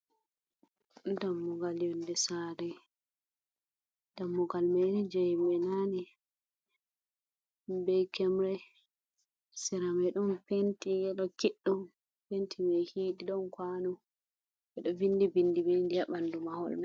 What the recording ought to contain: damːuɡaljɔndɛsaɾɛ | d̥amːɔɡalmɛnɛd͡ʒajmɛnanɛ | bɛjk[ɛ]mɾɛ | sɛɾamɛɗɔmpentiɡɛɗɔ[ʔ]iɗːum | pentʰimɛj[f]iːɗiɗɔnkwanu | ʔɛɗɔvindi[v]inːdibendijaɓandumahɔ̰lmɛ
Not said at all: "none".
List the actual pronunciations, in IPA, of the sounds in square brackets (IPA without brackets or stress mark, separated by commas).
ɛ, k, h, b